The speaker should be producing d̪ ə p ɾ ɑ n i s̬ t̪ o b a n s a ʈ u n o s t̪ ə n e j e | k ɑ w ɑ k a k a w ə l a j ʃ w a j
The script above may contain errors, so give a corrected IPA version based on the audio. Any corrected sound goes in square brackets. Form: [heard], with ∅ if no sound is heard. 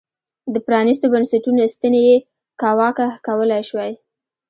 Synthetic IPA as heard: d̪ ə p ɾ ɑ n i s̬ t̪ o b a n s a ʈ u n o s t̪ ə n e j e | k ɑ w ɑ k a k a w ə l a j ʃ w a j